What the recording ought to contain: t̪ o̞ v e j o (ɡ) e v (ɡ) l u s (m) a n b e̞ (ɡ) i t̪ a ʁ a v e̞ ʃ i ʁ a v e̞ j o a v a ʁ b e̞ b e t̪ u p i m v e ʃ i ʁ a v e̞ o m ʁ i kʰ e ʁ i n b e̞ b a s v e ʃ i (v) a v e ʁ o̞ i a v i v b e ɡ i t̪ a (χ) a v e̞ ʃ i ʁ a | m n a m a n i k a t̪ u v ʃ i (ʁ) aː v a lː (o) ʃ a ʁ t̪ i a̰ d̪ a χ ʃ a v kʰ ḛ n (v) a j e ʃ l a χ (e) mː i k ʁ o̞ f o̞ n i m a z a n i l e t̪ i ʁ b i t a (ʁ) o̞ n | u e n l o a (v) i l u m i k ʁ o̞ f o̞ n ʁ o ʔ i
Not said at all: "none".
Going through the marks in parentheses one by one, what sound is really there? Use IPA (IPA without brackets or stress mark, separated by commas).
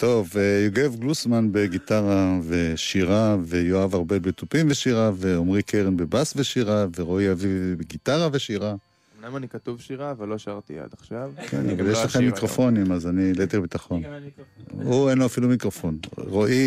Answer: ɡ, ɡ, m, ɡ, ʁ, ʁ, ʁ, o, v, e, χ, f